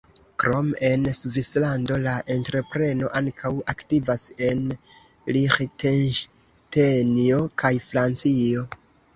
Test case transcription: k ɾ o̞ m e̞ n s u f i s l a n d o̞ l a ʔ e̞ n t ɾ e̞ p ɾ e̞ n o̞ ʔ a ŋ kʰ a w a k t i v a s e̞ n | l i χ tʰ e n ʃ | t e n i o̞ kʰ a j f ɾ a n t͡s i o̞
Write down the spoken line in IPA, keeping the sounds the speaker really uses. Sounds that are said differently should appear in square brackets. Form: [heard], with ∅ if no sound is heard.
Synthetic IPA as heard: k ɾ o̞ m e̞ n s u [v] i s l a n d o̞ l a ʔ e̞ n t ɾ e̞ p ɾ e̞ n o̞ ʔ a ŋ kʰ a w a k t i v a s e̞ n | l i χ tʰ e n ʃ | t e n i o̞ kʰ a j f ɾ a n t͡s i o̞